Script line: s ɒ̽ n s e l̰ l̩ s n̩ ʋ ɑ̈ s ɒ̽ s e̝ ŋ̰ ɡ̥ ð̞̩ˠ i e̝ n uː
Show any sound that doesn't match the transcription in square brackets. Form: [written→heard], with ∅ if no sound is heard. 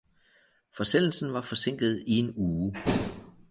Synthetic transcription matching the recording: [s→f] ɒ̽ [n→∅] s e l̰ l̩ s n̩ ʋ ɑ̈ [s→f] ɒ̽ s e̝ ŋ̰ ɡ̥ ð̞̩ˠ i e̝ n uː